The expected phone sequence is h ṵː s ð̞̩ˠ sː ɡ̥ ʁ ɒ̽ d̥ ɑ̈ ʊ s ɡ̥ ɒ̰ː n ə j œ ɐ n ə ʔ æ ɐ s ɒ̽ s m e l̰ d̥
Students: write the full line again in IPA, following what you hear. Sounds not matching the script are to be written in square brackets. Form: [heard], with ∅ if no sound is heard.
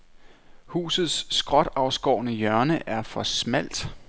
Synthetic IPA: h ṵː s ð̞̩ˠ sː ɡ̥ ʁ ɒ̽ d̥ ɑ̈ ʊ s ɡ̥ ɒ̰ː n ə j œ ɐ n ə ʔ æ ɐ [f] ɒ̽ s m [æ] l̰ d̥

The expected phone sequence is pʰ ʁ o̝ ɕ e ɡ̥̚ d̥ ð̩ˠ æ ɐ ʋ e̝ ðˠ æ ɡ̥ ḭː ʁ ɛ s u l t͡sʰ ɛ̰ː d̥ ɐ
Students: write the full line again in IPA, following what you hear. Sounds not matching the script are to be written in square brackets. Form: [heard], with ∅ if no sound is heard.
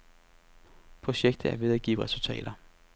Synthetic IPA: pʰ ʁ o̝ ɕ e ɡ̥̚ d̥ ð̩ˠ æ ɐ ʋ e̝ ðˠ æ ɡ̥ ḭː ʁ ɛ s u l t͡sʰ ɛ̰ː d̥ ɐ

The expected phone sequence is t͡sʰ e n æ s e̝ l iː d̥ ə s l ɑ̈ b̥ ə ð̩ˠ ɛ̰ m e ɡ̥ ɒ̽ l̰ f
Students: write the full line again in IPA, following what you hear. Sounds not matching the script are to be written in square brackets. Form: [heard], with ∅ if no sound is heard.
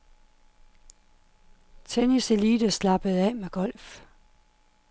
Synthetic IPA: t͡sʰ e n [i] s e̝ l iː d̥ ə s l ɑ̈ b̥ ə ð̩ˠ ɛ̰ m e ɡ̥ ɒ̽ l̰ f

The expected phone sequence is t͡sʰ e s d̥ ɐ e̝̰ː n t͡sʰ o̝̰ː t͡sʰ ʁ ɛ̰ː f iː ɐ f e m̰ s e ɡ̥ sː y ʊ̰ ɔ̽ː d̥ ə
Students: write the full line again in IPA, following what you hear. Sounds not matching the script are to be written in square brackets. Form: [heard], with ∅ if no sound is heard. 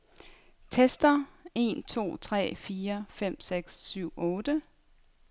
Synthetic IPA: t͡sʰ e s d̥ ɐ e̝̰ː n t͡sʰ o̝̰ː t͡sʰ ʁ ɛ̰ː f iː ɐ f e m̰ s e ɡ̥ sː y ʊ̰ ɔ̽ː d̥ ə

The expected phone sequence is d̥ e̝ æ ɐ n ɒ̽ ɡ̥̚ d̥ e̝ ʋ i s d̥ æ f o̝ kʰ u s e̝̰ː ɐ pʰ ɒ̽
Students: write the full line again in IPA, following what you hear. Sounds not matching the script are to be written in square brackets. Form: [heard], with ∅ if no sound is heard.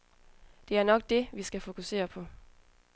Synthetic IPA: d̥ e̝ æ ɐ n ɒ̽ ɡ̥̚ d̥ e̝ ʋ i s [ɡ̥] æ f o̝ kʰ u s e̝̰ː ɐ pʰ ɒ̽

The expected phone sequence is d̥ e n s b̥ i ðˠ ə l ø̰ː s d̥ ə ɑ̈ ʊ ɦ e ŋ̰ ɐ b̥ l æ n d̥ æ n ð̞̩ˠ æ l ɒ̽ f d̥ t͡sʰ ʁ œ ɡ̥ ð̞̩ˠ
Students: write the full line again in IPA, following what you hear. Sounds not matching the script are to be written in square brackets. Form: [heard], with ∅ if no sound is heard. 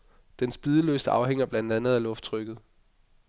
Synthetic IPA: d̥ e n s b̥ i ðˠ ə l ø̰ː s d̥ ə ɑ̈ ʊ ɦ e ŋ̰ ɐ b̥ l æ n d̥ æ n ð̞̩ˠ æ l [ɔ̽] f d̥ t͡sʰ ʁ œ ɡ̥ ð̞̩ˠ

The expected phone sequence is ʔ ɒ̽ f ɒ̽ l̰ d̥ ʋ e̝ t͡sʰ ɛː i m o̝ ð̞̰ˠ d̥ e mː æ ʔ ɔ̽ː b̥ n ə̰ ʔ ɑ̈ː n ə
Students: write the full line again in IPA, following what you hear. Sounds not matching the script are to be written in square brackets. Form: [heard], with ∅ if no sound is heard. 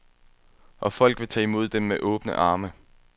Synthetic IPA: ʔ ɒ̽ f ɒ̽ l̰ [ɡ̥] ʋ e̝ t͡sʰ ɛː i m o̝ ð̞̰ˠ d̥ e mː [e] ʔ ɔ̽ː b̥ n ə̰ ʔ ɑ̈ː [m] ə

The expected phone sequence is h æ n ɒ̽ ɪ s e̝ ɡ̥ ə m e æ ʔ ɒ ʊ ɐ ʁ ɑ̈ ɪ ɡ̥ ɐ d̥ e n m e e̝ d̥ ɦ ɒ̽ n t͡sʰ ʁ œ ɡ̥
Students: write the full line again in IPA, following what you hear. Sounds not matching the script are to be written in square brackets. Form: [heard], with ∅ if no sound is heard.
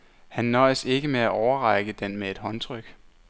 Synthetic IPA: h æ [nː] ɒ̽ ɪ s e̝ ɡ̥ ə m e æ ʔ ɒ ʊ ɐ ʁ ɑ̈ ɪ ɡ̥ [ə] d̥ e n m e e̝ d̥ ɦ ɒ̽ n t͡sʰ ʁ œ ɡ̥

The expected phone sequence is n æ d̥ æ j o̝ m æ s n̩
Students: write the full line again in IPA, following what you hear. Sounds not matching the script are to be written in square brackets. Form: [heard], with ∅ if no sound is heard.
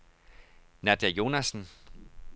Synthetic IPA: n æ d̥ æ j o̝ [n] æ s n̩

